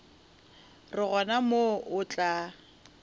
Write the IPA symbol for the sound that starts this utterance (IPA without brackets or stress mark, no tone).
r